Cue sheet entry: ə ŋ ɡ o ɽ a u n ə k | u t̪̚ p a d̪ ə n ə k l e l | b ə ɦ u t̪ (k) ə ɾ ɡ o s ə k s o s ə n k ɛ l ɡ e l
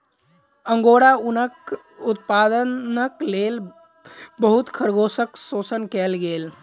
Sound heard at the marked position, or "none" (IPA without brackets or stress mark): kʰ